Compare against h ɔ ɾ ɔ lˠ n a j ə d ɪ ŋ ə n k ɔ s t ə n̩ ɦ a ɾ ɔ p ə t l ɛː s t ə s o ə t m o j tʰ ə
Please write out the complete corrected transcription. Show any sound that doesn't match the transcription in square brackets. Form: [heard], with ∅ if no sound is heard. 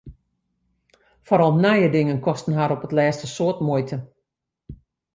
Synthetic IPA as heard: [f] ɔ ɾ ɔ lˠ n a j ə d ɪ ŋ ə n k ɔ s t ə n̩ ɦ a ɾ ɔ p ə t l ɛː s t ə s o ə t m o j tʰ ə